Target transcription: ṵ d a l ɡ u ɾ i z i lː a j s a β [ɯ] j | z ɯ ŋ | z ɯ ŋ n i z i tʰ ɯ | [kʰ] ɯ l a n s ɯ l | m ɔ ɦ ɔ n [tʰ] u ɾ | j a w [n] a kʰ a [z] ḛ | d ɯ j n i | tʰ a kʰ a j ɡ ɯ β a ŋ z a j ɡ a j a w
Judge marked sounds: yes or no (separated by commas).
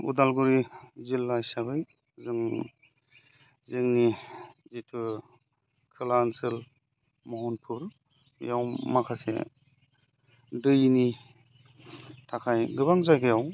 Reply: yes, yes, no, no, no